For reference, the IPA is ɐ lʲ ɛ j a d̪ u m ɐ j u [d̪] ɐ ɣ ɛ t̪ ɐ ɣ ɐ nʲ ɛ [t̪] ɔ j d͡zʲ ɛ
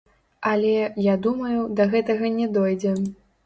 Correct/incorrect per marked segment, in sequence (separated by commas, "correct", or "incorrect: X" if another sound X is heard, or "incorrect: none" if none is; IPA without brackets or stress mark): correct, incorrect: d̪